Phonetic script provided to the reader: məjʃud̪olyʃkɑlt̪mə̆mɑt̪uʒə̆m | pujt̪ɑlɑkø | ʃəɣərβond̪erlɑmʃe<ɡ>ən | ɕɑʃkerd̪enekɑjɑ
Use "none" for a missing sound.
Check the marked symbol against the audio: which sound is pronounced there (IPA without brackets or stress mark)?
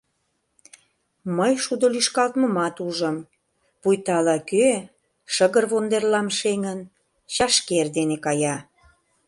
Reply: ŋ